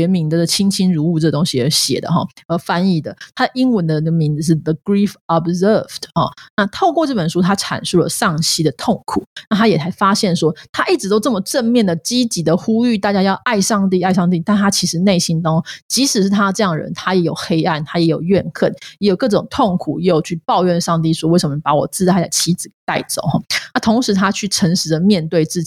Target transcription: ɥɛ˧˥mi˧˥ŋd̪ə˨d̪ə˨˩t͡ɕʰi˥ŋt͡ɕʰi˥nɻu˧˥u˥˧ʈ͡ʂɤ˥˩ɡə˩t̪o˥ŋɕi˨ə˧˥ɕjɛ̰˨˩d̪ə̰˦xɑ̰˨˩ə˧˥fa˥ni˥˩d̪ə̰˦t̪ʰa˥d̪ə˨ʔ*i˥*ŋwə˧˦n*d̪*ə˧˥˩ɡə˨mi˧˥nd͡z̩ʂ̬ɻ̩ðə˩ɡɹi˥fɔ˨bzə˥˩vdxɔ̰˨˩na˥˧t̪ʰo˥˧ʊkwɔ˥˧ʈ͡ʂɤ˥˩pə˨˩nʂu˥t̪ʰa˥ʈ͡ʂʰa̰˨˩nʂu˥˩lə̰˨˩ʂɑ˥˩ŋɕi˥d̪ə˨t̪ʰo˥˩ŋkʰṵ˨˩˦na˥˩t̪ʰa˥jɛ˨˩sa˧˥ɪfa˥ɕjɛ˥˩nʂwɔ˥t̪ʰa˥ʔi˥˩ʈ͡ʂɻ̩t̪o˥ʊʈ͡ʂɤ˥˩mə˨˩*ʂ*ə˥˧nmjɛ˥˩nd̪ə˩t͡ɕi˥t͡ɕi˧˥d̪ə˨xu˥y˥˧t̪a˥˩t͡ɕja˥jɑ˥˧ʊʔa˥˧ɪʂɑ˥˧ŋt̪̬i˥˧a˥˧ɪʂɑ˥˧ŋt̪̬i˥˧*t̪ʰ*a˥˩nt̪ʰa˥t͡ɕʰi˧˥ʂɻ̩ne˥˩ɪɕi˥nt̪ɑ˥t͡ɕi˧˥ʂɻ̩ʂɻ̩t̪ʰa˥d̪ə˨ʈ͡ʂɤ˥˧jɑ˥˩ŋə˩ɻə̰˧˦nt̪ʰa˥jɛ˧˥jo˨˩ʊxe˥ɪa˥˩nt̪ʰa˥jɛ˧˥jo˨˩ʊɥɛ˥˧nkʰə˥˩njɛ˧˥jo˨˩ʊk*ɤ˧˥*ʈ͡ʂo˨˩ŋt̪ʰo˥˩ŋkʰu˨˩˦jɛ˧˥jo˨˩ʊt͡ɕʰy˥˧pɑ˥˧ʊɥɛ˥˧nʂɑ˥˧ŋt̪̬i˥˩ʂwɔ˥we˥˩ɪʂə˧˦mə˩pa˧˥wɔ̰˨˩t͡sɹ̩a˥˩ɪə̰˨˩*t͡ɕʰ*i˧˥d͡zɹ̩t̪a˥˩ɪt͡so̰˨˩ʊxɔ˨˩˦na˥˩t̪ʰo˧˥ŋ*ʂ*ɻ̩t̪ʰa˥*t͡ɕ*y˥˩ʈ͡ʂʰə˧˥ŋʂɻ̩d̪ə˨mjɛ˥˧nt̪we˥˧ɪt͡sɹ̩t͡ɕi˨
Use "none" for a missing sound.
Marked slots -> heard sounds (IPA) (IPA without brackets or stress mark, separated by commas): i˥, d̪, ʈ͡ʂ, t̪, ɤ˥˩, t͡ɕʰ, ʂ, t͡ɕʰ